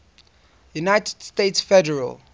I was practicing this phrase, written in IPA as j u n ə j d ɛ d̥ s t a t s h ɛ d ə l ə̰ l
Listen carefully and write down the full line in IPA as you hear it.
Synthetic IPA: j u n a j t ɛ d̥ s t e t s f ɛ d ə ɹ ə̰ l